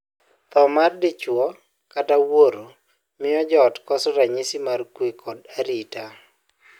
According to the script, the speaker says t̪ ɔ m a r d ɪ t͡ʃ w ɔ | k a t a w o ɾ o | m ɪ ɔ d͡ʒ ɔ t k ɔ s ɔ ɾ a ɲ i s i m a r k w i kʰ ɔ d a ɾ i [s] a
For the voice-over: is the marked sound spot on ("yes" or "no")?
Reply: no